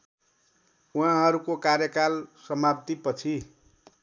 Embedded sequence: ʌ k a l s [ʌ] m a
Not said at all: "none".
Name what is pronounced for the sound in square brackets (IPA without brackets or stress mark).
ʌ